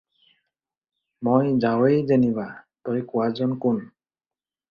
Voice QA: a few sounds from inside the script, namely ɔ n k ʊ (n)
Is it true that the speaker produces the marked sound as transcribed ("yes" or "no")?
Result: yes